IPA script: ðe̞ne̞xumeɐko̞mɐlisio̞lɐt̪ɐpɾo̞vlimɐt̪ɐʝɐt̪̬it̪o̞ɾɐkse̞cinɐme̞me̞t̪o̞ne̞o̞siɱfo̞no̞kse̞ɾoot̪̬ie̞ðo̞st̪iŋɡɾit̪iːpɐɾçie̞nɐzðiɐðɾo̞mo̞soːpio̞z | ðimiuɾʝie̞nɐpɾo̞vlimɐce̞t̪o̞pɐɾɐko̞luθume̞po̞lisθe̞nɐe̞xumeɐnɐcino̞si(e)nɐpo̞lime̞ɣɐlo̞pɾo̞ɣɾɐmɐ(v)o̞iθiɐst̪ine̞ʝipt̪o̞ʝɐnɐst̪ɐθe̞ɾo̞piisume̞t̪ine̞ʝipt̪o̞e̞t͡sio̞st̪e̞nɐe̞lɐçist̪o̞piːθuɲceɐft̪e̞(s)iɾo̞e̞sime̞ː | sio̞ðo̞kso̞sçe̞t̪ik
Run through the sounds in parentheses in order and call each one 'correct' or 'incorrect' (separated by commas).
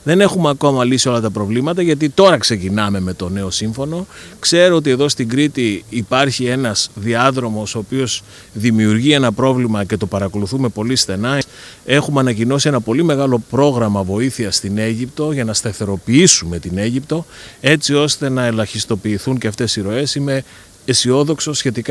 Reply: correct, correct, correct